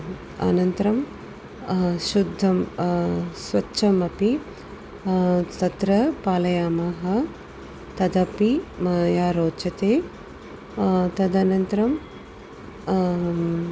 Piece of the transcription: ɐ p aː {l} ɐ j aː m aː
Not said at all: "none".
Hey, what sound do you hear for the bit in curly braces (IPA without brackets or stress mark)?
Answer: l